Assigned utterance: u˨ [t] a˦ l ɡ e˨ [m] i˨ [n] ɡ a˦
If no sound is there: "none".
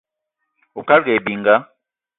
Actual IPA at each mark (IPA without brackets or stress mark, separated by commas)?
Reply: k, b, ŋ